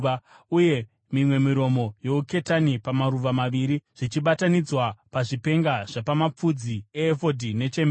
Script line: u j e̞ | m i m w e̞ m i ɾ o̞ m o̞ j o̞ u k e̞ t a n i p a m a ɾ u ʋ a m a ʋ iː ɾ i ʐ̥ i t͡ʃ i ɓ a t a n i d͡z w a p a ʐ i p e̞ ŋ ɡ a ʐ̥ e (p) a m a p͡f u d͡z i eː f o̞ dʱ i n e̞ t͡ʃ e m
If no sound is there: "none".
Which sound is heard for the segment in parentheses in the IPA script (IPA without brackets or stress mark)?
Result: p